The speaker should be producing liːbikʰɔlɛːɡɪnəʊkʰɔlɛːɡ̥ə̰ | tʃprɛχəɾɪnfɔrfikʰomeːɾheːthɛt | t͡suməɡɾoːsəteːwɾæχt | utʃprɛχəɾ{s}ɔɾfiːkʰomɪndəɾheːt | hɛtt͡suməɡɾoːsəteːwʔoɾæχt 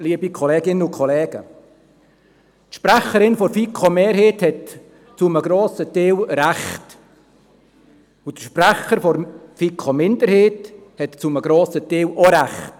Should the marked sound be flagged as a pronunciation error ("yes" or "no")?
yes